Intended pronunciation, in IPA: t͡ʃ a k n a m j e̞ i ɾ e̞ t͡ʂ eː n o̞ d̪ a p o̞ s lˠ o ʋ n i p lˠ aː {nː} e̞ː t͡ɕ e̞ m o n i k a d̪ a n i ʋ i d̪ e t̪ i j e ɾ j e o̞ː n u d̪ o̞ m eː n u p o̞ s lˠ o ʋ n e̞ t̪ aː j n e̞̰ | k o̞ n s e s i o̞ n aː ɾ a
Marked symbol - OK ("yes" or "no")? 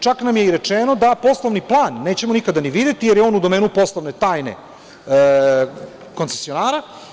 yes